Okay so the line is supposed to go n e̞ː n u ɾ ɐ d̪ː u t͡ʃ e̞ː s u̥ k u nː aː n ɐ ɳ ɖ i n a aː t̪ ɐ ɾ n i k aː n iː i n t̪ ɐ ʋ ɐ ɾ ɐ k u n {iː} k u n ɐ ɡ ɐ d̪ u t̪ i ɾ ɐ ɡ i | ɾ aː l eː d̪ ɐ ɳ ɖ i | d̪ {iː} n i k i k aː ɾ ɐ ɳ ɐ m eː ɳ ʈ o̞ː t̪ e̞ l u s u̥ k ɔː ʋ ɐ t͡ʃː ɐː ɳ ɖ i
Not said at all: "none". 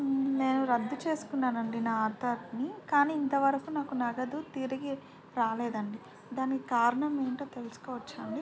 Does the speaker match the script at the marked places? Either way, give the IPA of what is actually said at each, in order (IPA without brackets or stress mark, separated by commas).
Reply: aː, aː